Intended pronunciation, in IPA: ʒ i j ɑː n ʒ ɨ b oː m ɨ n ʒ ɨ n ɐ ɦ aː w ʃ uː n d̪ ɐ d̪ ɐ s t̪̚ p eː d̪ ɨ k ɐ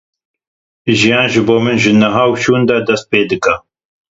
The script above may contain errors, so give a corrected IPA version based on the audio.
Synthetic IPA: ʒ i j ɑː n ʒ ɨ b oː m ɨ n ʒ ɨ n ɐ ɦ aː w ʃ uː n d̪ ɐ d̪ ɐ s t̪̚ p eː d̪ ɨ k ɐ